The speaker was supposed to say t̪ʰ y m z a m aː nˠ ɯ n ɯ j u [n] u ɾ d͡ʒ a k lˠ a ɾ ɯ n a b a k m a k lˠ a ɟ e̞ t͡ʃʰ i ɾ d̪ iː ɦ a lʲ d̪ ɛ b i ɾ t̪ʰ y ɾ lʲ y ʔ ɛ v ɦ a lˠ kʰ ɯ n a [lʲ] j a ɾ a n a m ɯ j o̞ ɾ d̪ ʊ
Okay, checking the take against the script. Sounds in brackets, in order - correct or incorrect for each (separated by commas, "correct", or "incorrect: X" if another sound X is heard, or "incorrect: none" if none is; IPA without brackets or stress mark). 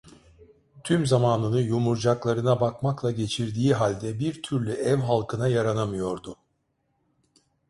incorrect: m, incorrect: none